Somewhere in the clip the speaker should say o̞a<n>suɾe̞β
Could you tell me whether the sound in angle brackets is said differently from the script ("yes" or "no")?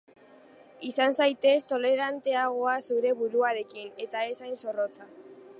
yes